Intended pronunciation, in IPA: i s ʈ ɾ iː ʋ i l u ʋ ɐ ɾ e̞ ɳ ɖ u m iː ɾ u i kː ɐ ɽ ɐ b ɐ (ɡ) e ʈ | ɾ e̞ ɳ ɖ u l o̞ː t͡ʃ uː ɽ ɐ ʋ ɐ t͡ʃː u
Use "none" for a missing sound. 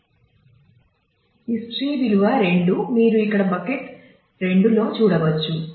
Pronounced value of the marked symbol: k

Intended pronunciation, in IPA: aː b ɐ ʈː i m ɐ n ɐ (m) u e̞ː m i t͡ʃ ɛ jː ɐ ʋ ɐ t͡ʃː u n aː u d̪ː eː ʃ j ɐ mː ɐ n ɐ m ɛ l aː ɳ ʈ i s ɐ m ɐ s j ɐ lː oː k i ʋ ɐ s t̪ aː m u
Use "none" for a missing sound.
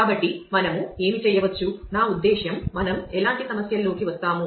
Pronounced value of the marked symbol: m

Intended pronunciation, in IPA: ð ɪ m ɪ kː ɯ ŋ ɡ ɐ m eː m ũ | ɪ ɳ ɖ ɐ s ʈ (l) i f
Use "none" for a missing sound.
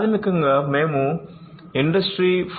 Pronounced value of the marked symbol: ɾ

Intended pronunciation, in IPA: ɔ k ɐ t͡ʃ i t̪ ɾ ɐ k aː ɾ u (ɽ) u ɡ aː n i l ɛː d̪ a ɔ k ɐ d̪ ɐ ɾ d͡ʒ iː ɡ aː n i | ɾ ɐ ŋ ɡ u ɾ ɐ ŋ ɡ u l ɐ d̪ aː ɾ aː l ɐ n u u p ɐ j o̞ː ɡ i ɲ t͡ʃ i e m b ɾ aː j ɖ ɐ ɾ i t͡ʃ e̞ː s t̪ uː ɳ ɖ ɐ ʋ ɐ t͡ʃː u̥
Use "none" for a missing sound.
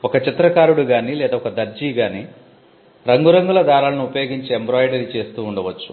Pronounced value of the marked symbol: ɽ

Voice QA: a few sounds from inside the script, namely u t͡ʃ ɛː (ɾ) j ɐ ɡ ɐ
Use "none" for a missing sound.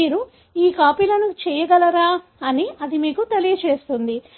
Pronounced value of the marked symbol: none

